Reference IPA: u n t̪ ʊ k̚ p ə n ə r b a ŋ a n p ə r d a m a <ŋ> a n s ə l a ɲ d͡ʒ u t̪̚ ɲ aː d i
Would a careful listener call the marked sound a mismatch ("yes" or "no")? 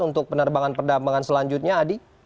no